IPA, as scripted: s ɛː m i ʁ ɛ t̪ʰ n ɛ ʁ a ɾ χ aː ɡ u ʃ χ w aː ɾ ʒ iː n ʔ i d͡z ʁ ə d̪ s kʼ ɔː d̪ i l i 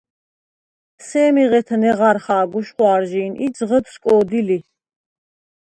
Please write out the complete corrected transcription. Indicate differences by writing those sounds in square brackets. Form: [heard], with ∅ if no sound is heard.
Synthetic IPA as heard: s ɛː m i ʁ ɛ t̪ʰ n ɛ ʁ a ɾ χ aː ɡ u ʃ χ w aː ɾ ʒ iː n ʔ i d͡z ʁ ə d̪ s kʼ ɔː d̪ i l i